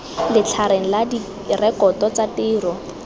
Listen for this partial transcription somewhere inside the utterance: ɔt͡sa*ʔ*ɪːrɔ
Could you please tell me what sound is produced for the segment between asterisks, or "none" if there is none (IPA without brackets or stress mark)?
t